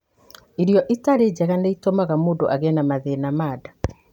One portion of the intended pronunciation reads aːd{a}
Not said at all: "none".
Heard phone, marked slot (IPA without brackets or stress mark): a